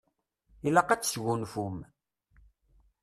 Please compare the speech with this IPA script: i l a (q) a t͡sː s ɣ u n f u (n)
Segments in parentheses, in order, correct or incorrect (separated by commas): correct, incorrect